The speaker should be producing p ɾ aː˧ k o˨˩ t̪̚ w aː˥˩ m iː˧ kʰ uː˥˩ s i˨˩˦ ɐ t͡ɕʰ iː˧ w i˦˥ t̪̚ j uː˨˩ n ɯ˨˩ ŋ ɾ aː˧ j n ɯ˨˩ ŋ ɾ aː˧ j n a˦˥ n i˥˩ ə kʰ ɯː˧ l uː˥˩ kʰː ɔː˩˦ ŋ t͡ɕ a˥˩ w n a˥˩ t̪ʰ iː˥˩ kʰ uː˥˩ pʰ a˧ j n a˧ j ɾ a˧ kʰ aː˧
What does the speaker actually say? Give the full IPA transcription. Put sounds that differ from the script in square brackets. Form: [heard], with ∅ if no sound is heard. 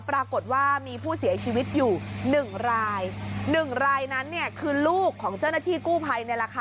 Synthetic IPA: p ɾ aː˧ k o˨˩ t̪̚ w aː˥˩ m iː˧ [pʰ] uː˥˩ s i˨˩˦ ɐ t͡ɕʰ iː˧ w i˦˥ t̪̚ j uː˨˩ n ɯ˨˩ ŋ ɾ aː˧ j n ɯ˨˩ ŋ ɾ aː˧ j n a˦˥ [nː] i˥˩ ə kʰ ɯː˧ l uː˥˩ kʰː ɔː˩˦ ŋ t͡ɕ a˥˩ w n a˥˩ t̪ʰ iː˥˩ [k] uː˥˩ pʰ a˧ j n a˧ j ɾ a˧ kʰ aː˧

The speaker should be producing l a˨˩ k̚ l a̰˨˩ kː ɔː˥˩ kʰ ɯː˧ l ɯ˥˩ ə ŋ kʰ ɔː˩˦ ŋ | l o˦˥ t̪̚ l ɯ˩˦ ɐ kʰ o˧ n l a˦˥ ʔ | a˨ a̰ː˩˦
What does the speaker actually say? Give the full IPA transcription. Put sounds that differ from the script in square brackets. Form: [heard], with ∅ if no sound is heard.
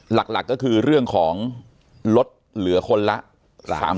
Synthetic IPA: l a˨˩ k̚ l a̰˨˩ kː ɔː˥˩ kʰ ɯː˧ [ɾ] ɯ˥˩ ə ŋ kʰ ɔː˩˦ ŋ | l o˦˥ t̪̚ l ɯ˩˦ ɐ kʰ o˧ n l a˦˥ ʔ | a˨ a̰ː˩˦

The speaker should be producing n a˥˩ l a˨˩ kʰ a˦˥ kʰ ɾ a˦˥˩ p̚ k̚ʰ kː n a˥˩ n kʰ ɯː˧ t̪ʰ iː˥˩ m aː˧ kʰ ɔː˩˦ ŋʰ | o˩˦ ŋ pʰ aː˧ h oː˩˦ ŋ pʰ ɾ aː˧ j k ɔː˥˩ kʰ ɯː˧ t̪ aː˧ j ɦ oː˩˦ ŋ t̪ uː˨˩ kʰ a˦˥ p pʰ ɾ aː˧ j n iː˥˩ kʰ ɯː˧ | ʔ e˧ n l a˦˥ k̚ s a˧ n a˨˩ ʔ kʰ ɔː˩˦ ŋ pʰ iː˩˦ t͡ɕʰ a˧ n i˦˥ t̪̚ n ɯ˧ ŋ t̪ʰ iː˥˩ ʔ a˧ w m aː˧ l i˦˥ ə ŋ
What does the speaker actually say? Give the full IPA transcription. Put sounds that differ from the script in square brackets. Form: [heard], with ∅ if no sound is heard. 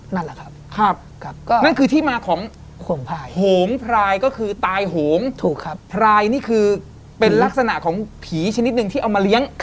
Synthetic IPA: n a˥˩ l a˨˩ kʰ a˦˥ kʰ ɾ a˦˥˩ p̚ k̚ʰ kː n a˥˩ n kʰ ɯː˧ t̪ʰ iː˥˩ m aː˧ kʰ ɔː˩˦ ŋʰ | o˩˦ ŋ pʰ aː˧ h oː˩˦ ŋ pʰ ɾ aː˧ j k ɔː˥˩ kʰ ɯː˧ t̪ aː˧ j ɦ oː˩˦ ŋ [t̪ʰ] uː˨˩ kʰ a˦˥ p pʰ ɾ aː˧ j n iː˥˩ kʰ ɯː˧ | [p] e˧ n l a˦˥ k̚ s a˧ n a˨˩ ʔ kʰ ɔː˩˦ ŋ pʰ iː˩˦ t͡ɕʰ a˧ n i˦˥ t̪̚ n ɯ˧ ŋ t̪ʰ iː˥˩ ʔ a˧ w m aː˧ l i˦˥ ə ŋ

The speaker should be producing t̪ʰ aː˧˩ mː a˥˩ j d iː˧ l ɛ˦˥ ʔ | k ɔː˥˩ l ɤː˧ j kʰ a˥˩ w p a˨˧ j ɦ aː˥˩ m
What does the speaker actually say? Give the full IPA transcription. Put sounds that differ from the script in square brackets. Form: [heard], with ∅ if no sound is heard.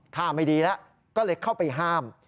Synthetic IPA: t̪ʰ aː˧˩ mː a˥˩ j d iː˧ l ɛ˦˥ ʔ | k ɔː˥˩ l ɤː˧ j kʰ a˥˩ w p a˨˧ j ɦ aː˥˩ m

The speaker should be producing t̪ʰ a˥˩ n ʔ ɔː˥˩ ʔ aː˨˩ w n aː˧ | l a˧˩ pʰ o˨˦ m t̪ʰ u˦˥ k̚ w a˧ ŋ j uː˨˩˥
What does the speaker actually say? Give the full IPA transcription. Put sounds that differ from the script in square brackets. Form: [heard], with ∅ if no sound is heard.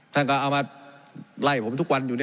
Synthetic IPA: t̪ʰ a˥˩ n [k] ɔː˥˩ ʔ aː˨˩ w [m] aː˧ | l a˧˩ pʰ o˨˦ m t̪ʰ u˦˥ k̚ w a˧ [n] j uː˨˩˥

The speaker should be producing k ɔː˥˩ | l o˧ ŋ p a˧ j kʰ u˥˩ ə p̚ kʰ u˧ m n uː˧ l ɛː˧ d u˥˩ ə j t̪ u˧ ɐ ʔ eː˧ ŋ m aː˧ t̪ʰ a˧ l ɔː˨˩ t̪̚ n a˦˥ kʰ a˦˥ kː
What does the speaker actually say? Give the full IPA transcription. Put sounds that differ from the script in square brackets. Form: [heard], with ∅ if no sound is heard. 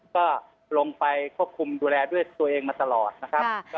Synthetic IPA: k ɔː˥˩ | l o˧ ŋ p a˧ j kʰ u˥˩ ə p̚ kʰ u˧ m [d] uː˧ l ɛː˧ d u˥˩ ə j t̪ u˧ ɐ ʔ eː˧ ŋ m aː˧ [t̪] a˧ l ɔː˨˩ t̪̚ n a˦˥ kʰ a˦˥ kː

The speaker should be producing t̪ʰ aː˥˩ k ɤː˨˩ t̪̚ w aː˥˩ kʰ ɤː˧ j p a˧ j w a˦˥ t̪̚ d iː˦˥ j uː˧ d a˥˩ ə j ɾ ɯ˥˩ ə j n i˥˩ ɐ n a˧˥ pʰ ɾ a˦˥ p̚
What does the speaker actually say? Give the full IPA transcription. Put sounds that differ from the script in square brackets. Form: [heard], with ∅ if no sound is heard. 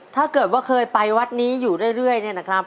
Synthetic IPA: t̪ʰ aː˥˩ k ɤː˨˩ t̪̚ w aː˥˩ kʰ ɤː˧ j p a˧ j w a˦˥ t̪̚ [n] iː˦˥ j [uː˨˩] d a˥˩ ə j ɾ ɯ˥˩ ə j n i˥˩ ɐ n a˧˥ [kʰ] ɾ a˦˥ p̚

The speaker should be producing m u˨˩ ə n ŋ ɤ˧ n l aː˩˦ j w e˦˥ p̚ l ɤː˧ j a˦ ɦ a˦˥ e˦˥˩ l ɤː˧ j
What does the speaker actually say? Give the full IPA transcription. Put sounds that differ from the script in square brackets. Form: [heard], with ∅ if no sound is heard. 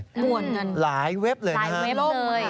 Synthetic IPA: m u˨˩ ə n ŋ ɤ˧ n l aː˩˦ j w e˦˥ p̚ l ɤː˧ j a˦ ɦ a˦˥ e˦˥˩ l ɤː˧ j

